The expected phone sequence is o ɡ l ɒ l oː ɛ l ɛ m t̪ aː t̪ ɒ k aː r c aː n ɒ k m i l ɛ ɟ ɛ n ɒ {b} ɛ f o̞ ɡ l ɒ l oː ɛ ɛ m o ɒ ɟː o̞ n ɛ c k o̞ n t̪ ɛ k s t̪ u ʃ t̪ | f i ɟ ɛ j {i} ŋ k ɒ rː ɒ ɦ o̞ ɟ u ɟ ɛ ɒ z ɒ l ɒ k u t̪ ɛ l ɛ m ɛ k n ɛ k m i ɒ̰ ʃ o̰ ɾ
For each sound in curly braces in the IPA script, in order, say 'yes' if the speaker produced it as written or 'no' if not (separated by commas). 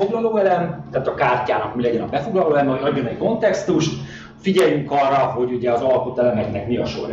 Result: yes, no